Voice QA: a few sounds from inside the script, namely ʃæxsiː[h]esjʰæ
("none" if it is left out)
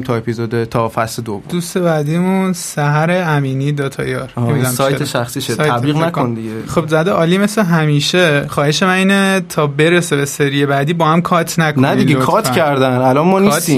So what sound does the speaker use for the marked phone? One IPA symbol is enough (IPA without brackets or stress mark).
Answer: ʃ